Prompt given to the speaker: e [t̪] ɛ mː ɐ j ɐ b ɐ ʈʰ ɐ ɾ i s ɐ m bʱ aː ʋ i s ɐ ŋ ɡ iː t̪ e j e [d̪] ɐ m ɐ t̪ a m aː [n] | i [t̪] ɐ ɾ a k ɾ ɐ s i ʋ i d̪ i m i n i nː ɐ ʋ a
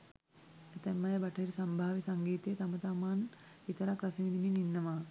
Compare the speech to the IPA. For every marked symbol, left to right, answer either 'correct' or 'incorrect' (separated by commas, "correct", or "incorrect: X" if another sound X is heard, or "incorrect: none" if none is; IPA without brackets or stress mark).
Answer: correct, incorrect: t̪, correct, correct